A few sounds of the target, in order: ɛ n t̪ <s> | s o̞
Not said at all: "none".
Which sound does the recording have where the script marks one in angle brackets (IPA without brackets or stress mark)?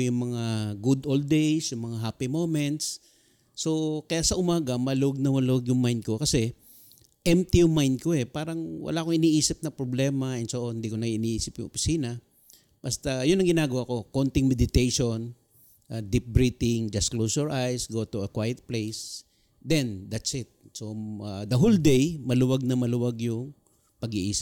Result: s